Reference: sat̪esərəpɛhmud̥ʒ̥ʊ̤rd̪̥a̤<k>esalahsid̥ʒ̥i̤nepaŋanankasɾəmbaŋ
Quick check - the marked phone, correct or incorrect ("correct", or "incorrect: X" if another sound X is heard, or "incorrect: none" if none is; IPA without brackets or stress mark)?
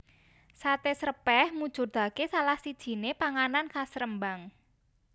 correct